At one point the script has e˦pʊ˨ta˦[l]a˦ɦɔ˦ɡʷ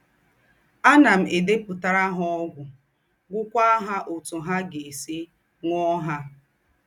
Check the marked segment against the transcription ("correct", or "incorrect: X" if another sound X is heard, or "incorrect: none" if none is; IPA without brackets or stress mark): incorrect: ɾ